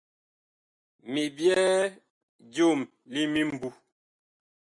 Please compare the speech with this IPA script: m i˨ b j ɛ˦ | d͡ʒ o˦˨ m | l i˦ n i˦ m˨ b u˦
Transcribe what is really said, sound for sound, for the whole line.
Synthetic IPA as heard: m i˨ b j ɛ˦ | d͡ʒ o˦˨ m | l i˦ m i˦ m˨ b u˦